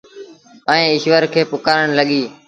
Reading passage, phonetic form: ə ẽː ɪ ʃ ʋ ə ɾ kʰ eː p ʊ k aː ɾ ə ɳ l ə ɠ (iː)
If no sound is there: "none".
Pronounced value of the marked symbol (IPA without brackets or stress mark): iː